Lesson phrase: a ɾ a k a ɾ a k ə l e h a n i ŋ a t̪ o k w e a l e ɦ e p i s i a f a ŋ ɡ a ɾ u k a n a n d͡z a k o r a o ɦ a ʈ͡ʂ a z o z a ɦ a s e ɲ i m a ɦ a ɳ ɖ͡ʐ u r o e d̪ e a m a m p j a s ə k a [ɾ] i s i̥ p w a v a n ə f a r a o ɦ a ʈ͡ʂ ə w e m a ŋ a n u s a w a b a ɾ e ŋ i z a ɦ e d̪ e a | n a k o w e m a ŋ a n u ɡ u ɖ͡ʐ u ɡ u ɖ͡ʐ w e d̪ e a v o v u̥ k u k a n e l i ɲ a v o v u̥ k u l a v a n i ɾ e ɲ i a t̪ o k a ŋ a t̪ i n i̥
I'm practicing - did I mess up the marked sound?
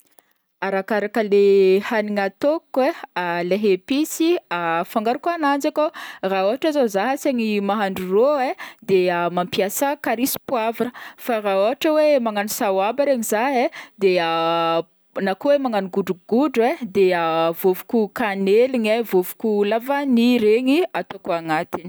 no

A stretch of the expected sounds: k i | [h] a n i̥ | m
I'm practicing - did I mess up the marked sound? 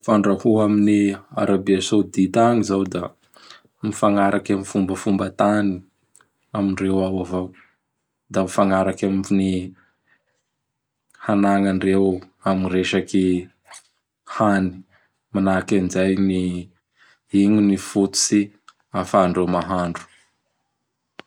no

